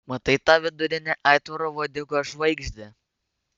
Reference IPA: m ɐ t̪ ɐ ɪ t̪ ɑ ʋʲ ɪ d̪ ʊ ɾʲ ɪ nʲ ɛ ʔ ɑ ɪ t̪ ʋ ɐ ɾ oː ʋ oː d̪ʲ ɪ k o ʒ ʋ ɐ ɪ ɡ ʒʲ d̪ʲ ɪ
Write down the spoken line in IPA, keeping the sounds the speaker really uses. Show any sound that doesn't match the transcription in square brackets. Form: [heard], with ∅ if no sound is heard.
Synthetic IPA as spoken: m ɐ t̪ ɐ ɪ t̪ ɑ ʋʲ ɪ d̪ ʊ ɾʲ ɪ nʲ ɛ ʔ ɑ ɪ t̪ ʋ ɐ ɾ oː ʋ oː d̪ʲ ɪ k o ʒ ʋ ɐ ɪ ɡ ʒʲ d̪ʲ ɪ

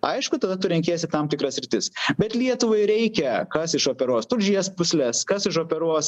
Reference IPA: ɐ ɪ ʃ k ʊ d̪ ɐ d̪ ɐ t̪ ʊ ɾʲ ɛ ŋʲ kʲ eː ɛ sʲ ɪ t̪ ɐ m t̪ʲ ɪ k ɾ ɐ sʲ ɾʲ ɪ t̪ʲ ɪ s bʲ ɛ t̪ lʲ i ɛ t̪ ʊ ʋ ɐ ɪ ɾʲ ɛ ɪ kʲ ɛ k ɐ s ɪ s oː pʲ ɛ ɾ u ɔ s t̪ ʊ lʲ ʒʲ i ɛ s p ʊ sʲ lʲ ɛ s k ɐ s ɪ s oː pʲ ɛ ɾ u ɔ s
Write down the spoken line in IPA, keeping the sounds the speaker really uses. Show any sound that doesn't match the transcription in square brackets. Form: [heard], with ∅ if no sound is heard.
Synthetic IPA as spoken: ɐ ɪ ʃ k ʊ [t̪] ɐ d̪ ɐ t̪ ʊ ɾʲ ɛ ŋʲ kʲ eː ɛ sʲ ɪ t̪ ɐ m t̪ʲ ɪ k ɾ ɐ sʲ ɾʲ ɪ t̪ʲ ɪ s bʲ ɛ t̪ lʲ i ɛ t̪ ʊ ʋ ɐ ɪ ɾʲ ɛ ɪ kʲ ɛ k ɐ s ɪ [ʃ] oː pʲ ɛ ɾ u ɔ s t̪ ʊ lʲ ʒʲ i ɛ s p ʊ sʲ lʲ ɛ s k ɐ s ɪ [ʃ] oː pʲ ɛ ɾ u ɔ s

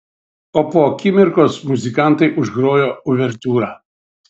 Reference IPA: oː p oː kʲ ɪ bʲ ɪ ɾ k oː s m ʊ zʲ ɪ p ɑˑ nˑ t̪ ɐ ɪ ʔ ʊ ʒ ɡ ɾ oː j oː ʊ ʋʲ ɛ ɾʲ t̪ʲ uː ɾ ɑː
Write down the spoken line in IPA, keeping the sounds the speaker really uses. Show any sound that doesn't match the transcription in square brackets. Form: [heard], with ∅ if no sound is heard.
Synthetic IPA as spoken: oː p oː kʲ ɪ [mʲ] ɪ ɾ k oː s m ʊ zʲ ɪ [k] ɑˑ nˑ t̪ ɐ ɪ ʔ ʊ ʒ ɡ ɾ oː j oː ʊ ʋʲ ɛ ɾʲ t̪ʲ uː ɾ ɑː

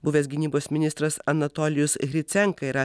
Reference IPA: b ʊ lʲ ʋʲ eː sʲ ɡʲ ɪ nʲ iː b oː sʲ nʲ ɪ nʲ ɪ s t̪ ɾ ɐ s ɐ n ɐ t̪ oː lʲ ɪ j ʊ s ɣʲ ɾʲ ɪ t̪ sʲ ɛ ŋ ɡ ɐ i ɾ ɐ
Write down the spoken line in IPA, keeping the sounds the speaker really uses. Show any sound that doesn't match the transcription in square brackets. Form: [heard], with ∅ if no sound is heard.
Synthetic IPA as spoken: b ʊ [∅] ʋʲ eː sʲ ɡʲ ɪ nʲ iː b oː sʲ [mʲ] ɪ nʲ ɪ s t̪ ɾ ɐ s ɐ n ɐ t̪ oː lʲ ɪ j ʊ s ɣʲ ɾʲ ɪ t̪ sʲ ɛ ŋ [k] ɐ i ɾ ɐ

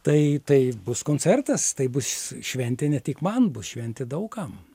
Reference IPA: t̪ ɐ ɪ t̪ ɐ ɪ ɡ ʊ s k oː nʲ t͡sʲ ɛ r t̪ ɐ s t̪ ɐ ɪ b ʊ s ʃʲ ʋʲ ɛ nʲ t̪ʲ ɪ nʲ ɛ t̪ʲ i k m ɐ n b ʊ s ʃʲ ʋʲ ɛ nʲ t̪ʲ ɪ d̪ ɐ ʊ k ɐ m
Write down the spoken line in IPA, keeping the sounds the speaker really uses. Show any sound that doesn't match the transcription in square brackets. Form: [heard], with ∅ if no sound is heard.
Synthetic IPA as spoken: t̪ ɐ ɪ t̪ ɐ ɪ [b] ʊ s k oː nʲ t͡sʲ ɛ r t̪ ɐ s t̪ ɐ ɪ b ʊ s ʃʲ ʋʲ ɛ nʲ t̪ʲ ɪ nʲ ɛ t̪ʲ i k m ɐ n b ʊ s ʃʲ ʋʲ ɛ nʲ t̪ʲ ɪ d̪ ɐ ʊ k ɐ m

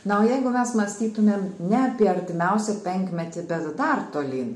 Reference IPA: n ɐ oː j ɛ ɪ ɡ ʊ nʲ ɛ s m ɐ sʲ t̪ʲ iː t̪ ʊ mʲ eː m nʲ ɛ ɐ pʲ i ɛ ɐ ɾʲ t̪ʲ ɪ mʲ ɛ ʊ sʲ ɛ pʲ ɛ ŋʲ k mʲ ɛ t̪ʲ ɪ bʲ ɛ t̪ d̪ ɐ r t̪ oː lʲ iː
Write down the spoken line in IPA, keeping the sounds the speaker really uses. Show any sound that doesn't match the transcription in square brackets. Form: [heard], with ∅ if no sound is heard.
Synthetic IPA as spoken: n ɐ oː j ɛ ɪ ɡ ʊ [mʲ] ɛ s m ɐ sʲ t̪ʲ iː t̪ ʊ mʲ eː m nʲ ɛ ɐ pʲ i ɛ ɐ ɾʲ t̪ʲ ɪ mʲ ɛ ʊ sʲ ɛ pʲ ɛ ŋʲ k mʲ ɛ t̪ʲ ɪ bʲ ɛ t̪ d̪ ɐ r t̪ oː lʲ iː

